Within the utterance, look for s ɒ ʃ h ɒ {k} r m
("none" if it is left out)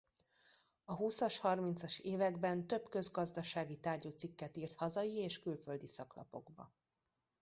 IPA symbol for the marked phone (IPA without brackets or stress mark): none